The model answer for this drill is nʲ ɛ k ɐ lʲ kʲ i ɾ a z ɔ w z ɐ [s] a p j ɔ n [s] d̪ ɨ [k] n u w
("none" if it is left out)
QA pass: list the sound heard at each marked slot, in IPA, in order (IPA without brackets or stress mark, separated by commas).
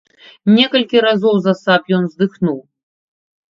s, z, x